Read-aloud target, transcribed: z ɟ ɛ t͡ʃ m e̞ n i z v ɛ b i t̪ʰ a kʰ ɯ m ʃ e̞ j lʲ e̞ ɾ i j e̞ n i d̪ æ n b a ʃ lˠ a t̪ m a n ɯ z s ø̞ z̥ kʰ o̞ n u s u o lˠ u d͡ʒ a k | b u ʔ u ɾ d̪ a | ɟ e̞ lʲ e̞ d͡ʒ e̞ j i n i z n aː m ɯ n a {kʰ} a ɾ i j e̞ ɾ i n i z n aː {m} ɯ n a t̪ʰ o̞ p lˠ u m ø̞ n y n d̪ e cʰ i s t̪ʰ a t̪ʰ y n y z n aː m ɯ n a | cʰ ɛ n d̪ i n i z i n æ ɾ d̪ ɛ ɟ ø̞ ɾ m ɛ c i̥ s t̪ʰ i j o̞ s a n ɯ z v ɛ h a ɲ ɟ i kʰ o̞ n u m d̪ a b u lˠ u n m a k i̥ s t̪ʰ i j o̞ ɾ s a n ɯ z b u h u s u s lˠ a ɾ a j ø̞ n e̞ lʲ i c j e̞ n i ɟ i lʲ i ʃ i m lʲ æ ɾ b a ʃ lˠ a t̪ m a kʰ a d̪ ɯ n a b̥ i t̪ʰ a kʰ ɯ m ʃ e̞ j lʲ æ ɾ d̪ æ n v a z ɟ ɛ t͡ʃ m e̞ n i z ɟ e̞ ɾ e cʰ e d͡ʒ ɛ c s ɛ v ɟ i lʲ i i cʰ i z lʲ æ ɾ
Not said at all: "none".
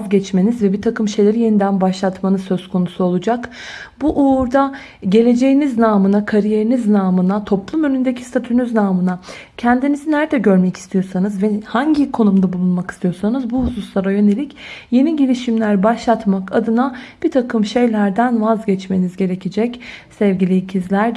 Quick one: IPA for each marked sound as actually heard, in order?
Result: kʰ, m

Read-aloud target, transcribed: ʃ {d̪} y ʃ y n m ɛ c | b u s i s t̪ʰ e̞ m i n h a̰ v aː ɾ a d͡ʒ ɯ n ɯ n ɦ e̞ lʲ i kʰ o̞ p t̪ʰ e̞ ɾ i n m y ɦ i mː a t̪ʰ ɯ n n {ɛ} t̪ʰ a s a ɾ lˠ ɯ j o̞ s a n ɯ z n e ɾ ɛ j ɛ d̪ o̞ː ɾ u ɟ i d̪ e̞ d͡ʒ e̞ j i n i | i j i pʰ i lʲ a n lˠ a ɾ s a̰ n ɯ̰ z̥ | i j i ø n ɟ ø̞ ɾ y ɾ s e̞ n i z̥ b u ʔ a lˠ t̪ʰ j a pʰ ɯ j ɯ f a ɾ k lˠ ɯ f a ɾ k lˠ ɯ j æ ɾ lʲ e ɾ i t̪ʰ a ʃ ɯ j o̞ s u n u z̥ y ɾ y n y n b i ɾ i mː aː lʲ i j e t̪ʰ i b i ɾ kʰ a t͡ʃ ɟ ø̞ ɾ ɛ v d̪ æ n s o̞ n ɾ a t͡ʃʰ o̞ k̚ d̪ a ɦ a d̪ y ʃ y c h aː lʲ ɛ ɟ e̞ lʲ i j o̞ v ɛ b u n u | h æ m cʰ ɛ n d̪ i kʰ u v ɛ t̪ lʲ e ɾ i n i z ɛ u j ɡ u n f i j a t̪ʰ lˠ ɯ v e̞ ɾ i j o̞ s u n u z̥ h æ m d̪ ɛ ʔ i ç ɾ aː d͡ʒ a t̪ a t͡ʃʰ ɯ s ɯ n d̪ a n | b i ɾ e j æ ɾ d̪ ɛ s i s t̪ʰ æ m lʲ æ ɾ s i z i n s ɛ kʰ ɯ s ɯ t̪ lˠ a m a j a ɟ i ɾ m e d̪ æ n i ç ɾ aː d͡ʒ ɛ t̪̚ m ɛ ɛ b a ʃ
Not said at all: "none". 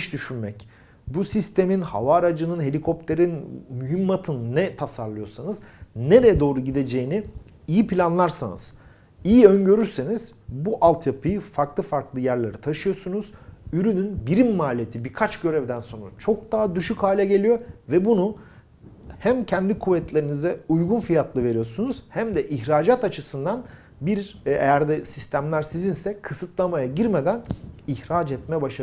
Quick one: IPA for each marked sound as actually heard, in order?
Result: d̪, ɛ

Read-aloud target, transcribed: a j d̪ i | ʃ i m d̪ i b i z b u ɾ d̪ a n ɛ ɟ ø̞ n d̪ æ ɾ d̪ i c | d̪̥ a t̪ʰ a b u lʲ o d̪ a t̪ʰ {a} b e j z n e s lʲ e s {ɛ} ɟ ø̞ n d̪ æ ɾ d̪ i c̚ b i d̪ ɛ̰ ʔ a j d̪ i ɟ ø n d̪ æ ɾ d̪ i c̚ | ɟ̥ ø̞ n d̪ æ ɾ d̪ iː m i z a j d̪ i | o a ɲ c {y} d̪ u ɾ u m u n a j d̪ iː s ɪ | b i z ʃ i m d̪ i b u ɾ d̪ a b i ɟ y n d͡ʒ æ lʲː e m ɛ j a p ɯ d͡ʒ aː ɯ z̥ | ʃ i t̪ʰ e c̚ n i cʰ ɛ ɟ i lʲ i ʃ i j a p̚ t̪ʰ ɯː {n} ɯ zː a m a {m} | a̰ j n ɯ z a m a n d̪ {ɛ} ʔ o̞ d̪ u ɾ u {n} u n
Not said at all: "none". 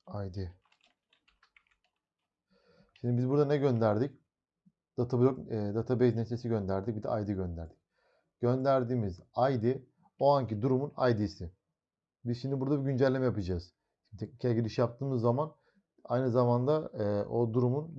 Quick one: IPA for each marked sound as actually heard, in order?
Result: a, i, i, m, n, a, m

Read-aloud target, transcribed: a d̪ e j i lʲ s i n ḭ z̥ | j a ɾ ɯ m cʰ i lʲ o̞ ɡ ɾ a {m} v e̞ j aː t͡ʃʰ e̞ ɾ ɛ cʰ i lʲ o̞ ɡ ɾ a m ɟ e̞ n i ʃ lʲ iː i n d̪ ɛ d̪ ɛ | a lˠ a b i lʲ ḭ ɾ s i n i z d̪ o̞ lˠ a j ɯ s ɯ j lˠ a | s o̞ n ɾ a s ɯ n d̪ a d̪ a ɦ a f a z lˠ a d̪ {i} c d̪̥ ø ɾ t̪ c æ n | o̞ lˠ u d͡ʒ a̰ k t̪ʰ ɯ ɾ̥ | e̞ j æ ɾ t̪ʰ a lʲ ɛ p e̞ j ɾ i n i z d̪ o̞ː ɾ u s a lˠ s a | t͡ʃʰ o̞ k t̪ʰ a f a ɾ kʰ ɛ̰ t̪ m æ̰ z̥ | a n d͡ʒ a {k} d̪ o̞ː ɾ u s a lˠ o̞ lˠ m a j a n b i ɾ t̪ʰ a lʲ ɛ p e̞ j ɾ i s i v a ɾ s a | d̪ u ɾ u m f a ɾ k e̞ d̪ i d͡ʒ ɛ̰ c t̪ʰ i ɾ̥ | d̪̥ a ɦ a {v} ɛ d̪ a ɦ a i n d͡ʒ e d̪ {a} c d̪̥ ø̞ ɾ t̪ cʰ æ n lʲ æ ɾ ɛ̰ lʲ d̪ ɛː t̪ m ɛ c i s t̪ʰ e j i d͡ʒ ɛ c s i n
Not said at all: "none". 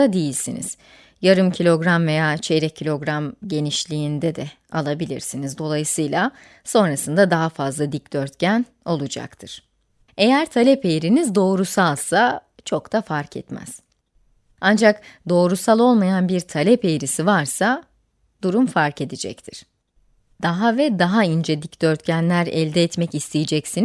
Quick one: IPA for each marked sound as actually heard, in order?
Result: m, i, k, v, i

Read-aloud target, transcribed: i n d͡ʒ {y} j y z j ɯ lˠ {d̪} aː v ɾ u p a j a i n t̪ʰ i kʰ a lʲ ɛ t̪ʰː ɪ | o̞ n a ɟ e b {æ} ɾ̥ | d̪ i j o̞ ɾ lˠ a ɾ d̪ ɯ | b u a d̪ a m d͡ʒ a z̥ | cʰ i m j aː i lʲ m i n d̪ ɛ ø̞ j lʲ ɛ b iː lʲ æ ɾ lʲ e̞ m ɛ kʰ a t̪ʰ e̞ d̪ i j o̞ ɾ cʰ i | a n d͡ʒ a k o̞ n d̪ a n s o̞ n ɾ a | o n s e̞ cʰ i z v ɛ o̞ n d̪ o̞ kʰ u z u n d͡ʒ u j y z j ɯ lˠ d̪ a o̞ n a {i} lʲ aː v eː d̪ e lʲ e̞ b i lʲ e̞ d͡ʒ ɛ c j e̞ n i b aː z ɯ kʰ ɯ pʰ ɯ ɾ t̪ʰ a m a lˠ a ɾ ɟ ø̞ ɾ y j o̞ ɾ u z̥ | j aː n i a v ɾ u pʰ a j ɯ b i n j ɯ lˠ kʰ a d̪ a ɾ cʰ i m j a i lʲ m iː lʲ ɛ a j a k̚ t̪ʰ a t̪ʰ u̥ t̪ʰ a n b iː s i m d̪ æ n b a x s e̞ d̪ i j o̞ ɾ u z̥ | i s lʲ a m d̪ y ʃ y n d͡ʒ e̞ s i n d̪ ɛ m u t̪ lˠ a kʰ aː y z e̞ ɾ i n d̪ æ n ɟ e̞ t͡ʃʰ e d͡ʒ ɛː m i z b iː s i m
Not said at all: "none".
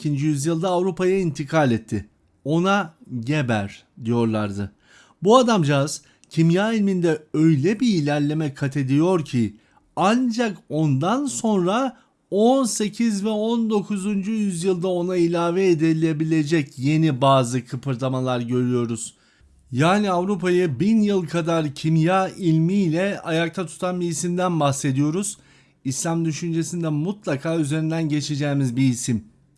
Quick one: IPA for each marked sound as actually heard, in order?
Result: i, d̪, æ, i

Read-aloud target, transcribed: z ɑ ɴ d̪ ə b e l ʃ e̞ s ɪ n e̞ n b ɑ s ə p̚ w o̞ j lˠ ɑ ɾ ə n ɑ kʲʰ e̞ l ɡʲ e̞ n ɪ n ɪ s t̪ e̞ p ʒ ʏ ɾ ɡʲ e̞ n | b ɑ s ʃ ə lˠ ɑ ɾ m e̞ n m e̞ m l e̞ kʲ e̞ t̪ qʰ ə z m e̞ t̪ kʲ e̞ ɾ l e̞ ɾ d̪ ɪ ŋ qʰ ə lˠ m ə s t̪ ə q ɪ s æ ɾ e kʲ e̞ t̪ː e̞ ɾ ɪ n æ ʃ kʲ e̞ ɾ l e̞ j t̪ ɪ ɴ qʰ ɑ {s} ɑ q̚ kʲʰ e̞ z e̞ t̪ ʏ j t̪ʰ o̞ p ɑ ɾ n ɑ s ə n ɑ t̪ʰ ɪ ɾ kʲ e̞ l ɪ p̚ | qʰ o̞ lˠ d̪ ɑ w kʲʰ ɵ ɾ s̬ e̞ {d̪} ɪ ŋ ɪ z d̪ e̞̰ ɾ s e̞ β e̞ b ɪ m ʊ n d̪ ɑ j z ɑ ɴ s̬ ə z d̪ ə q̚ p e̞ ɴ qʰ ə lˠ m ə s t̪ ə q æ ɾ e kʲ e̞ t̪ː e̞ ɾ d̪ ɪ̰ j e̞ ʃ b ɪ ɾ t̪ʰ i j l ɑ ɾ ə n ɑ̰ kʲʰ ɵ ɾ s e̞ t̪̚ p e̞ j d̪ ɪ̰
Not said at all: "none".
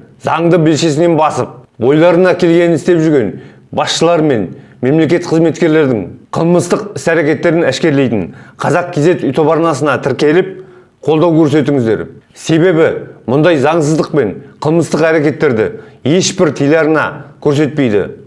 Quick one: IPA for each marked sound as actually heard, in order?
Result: z, t̪

